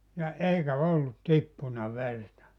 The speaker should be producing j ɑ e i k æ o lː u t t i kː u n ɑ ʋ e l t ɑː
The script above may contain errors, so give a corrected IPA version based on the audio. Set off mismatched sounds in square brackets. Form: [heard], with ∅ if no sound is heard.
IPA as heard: j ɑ e i k æ o lː u t t i [pː] u n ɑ ʋ e [r] t [ɑ]